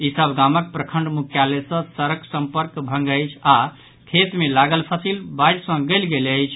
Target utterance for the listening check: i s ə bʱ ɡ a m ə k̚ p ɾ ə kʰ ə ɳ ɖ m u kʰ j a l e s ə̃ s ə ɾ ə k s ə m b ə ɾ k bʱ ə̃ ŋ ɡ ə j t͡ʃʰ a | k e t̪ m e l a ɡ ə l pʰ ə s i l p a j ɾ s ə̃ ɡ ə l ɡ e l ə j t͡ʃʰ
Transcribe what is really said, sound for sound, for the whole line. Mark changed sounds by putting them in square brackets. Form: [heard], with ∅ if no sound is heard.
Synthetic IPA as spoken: i s ə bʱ ɡ a m ə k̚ p ɾ ə kʰ ə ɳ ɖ m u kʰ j a l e s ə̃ s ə ɾ ə k s ə m [p] ə ɾ k bʱ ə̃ ŋ ɡ ə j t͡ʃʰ a | [kʰ] e t̪ m e l a ɡ ə l pʰ ə s i l [b] a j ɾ s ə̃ ɡ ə l ɡ e l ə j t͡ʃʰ

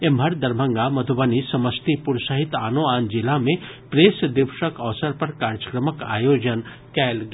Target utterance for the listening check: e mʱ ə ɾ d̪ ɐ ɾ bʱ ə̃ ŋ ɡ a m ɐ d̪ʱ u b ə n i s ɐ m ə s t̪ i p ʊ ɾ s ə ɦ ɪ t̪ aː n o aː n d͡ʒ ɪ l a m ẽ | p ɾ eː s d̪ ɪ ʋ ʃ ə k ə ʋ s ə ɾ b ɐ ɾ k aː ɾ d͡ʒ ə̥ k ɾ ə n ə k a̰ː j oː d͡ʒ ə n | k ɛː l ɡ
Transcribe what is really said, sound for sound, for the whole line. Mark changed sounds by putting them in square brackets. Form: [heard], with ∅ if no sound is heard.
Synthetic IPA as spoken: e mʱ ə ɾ d̪ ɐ ɾ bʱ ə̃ ŋ ɡ a m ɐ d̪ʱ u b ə n i s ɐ m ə s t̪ i p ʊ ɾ s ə ɦ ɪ t̪ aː n o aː n d͡ʒ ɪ l a m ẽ | p ɾ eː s d̪ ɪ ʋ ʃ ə k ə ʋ s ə ɾ [p] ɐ ɾ k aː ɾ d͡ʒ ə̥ k ɾ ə [m] ə k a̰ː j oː d͡ʒ ə n | k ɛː l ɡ

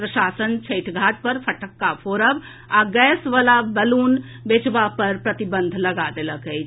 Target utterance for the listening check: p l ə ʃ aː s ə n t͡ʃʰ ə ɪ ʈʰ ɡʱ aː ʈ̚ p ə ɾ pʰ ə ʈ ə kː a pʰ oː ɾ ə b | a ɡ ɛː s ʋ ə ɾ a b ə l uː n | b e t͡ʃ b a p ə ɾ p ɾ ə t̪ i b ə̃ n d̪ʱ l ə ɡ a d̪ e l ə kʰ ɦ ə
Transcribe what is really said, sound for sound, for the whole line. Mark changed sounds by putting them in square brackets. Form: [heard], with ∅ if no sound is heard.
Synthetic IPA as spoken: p [ɾ] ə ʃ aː s ə n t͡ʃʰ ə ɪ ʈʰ ɡʱ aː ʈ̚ p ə ɾ pʰ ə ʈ ə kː a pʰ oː ɾ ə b | a ɡ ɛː s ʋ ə [l] a b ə l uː n | b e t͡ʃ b a p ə ɾ p ɾ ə t̪ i b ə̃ n d̪ʱ l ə ɡ a d̪ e l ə [k] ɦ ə

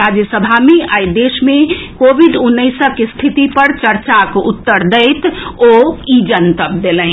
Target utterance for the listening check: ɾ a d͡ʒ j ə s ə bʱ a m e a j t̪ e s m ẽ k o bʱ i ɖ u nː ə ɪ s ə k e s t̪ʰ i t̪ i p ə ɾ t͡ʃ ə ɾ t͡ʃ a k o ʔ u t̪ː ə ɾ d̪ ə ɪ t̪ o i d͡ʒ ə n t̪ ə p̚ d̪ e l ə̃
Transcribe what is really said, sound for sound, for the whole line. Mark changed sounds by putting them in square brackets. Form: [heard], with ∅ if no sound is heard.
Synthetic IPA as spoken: ɾ a d͡ʒ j ə s ə bʱ a m e a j [d̪] e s m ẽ k o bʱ i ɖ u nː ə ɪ s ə k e s t̪ʰ i t̪ i p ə ɾ t͡ʃ ə ɾ t͡ʃ a k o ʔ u t̪ː ə ɾ d̪ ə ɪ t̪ o i d͡ʒ ə n t̪ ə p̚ d̪ e l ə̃

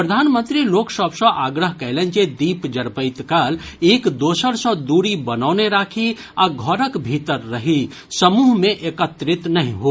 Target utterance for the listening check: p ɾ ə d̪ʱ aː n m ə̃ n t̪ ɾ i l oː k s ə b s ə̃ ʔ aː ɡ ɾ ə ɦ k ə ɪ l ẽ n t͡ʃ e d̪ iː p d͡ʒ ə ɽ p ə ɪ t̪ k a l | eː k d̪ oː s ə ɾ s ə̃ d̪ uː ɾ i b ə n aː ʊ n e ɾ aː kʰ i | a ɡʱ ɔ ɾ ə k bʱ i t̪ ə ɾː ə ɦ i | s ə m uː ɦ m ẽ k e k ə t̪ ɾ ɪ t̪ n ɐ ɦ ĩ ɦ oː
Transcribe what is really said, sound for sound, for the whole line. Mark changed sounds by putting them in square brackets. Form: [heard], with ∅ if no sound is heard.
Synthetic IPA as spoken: p ɾ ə d̪ʱ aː n m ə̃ n t̪ ɾ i l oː k s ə b s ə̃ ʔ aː ɡ ɾ ə ɦ k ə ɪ l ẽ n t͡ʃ e d̪ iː p d͡ʒ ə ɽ p ə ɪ t̪ k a l | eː k d̪ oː s ə ɾ s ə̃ d̪ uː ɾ i b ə n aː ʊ n e ɾ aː kʰ i | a ɡʱ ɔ ɾ ə k bʱ i t̪ ə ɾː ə ɦ i | s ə m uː ɦ m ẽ [ʔ] e k ə t̪ ɾ ɪ t̪ n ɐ ɦ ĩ ɦ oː

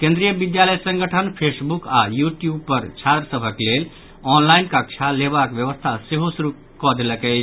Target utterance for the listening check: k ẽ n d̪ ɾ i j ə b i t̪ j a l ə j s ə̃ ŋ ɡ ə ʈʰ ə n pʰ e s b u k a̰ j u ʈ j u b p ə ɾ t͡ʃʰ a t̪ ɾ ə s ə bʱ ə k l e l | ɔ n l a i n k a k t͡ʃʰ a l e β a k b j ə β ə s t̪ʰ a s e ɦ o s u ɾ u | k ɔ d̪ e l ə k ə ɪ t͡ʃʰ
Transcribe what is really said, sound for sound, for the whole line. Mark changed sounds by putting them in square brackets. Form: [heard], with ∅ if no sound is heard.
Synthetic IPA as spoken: k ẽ n d̪ ɾ i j ə b i [d̪] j a l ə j s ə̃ ŋ ɡ ə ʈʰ ə n pʰ e s b u k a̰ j u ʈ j u b p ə ɾ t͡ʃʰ a t̪ ɾ ə s ə bʱ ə k l e l | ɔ n l a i n k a k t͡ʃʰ a l e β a k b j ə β ə s t̪ʰ a s e ɦ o s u ɾ u | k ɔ d̪ e l ə k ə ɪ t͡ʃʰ

